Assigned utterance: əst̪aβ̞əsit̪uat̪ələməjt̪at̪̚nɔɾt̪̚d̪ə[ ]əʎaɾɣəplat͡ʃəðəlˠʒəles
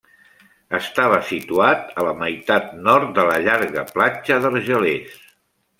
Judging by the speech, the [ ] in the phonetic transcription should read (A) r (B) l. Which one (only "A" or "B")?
B